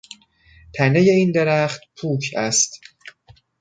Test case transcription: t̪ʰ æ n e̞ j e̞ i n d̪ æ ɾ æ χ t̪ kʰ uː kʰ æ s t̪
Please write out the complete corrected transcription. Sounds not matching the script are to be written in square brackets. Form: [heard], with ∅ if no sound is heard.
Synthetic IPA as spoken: t̪ʰ æ n e̞ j e̞ i n d̪ [e] ɾ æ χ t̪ [pʰ] uː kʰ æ s t̪

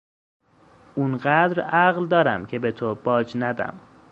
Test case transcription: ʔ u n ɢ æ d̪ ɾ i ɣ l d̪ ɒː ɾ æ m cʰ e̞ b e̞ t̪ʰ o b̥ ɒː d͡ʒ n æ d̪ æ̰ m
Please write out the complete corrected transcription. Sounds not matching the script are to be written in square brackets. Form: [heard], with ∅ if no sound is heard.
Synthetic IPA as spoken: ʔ u n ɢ æ d̪ ɾ [æ] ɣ l d̪ ɒː ɾ æ m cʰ e̞ b e̞ t̪ʰ o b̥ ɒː d͡ʒ n æ d̪ æ̰ m

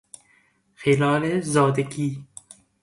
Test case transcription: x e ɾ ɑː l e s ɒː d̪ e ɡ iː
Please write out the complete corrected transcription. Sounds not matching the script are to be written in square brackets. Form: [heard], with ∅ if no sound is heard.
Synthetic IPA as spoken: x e [l] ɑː l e [z] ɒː d̪ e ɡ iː

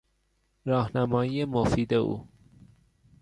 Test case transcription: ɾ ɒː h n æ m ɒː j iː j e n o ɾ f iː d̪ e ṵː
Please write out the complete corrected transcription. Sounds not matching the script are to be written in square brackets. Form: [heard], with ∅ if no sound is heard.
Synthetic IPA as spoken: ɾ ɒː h n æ m ɒː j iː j e [m] o [∅] f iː d̪ e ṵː

